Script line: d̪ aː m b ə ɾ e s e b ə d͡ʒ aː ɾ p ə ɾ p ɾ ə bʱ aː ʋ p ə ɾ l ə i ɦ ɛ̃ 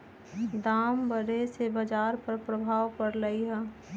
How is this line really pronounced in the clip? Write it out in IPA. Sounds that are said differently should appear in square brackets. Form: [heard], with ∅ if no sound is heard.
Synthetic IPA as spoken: d̪ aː m b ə ɾ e s e b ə d͡ʒ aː ɾ p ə ɾ p ɾ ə bʱ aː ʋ p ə ɾ l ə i ɦ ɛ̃